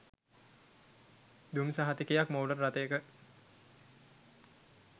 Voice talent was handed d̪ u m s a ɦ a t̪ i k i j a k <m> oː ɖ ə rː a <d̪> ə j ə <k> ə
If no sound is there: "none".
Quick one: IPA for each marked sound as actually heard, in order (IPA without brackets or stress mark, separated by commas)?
m, t̪, k